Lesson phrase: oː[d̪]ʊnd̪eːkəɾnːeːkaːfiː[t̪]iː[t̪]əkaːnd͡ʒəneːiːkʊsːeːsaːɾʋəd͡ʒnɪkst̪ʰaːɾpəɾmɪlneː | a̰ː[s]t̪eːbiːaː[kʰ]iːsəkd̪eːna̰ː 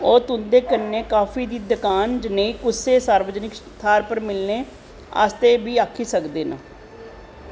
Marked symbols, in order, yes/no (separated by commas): no, no, no, yes, yes